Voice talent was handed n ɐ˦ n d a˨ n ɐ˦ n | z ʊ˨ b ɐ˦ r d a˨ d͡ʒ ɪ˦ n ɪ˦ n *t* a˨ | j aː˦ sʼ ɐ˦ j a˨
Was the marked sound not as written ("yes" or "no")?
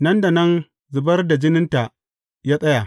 no